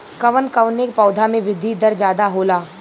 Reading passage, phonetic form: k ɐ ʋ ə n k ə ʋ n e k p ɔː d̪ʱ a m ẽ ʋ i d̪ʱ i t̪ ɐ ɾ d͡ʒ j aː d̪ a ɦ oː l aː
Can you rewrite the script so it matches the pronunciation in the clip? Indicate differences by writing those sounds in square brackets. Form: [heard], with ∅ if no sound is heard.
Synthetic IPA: k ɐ ʋ ə n k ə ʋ n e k p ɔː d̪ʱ a m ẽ ʋ [ɪ] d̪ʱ i [d̪] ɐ ɾ d͡ʒ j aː d̪ a ɦ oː l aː